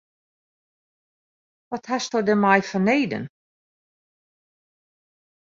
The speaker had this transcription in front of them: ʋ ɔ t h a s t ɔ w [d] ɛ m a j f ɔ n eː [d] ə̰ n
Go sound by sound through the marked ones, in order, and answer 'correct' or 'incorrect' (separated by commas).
correct, correct